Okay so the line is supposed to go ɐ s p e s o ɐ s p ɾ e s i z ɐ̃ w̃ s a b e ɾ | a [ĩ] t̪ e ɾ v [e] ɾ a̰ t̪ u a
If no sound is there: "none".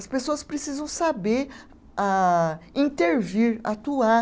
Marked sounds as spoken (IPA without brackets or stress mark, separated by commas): ĩ, i